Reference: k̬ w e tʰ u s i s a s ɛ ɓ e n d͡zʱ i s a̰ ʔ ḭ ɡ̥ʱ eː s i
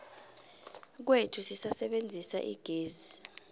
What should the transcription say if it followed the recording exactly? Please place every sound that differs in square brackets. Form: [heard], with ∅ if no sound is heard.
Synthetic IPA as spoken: k̬ w e tʰ u s i s a s ɛ ɓ e n d͡zʱ i s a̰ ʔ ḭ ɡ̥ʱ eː [z] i